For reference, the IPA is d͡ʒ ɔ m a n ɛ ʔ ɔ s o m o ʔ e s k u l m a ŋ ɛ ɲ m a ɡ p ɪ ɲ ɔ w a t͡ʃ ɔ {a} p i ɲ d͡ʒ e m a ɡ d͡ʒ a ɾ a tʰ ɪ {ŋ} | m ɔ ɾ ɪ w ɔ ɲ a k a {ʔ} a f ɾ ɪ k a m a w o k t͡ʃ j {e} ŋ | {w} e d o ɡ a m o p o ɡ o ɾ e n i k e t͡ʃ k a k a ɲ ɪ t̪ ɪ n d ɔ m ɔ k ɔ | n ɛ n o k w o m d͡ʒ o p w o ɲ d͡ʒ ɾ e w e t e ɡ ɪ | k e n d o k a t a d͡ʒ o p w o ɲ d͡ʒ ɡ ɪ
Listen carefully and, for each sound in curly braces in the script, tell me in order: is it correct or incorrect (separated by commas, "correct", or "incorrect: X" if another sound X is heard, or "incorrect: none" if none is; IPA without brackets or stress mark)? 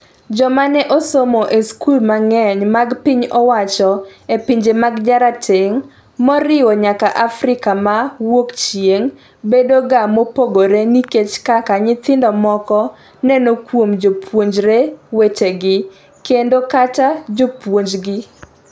incorrect: e, correct, correct, correct, incorrect: b